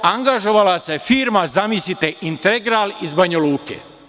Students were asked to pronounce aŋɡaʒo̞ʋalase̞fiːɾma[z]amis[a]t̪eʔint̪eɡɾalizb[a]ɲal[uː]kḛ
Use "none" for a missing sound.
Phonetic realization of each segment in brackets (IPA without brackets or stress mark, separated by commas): z, i, a, uː